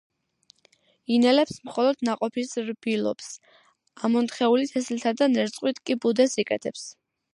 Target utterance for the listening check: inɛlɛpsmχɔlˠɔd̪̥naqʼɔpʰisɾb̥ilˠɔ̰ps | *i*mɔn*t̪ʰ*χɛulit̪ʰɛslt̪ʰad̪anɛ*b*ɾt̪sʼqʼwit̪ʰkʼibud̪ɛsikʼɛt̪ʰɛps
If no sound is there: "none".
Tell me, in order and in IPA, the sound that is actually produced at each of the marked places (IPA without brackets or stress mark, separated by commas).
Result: a, t̪, none